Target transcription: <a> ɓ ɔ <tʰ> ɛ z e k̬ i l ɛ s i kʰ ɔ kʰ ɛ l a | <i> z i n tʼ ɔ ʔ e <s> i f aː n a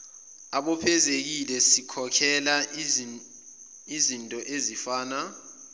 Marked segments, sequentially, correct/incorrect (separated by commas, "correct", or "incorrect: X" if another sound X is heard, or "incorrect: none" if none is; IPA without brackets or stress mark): correct, incorrect: pʰ, correct, incorrect: z